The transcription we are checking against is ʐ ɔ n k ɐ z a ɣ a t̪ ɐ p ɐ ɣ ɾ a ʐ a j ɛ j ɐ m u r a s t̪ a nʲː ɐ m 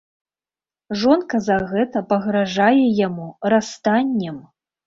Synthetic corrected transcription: ʐ ɔ n k ɐ z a ɣ ɛ t̪ ɐ p ɐ ɣ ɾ a ʐ a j ɛ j a m u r a s t̪ a nʲː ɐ m